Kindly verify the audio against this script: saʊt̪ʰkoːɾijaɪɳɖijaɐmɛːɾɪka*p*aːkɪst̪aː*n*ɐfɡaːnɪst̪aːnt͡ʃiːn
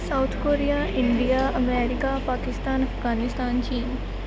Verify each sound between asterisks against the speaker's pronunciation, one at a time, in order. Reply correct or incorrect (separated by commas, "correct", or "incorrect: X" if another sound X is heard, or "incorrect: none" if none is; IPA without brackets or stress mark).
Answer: correct, correct